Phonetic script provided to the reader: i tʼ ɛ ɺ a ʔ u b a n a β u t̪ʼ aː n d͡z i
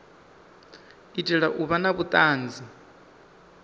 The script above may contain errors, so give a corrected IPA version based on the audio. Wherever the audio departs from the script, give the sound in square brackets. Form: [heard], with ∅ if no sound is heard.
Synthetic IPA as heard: i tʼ ɛ ɺ a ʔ u [β] a n a β u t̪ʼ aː n d͡z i